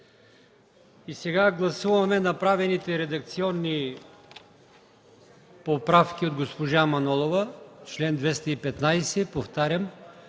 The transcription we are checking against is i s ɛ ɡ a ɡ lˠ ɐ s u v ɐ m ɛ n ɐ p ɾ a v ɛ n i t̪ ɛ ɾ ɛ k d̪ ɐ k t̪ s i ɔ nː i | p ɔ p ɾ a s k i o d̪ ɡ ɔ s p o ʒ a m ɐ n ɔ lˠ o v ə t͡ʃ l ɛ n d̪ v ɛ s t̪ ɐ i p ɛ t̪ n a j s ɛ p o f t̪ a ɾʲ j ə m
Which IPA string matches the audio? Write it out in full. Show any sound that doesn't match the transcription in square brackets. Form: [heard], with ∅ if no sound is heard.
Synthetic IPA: i s ɛ ɡ a ɡ lˠ ɐ s u v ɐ m ɛ n ɐ p ɾ a v ɛ n i t̪ ɛ ɾ ɛ [∅] d̪ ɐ k t̪ s i ɔ nː i | p [o] p ɾ a [f] k i o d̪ ɡ [o] s p o ʒ a m ɐ n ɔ lˠ o v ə t͡ʃ l ɛ n d̪ v ɛ s t̪ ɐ i p ɛ t̪ n a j s ɛ p o f t̪ a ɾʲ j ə m